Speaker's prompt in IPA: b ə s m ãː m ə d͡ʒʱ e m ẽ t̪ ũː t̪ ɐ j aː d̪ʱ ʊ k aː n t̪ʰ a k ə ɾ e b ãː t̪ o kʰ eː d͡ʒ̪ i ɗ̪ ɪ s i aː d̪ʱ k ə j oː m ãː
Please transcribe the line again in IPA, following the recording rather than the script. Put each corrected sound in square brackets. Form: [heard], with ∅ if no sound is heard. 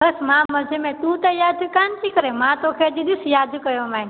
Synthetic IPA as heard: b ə s m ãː m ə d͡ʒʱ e m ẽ t̪ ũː t̪ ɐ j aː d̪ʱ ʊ k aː n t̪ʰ [i] k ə ɾ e [m] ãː t̪ o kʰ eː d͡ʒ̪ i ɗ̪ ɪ s [j] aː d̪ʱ k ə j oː m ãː